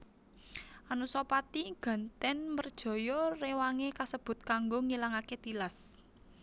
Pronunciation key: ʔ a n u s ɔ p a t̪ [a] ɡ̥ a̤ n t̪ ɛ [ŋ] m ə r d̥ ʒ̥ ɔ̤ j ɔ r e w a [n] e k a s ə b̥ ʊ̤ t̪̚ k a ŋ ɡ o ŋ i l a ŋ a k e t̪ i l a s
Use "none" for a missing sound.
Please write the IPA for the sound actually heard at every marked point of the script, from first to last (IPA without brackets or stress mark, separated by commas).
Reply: i, n, ŋ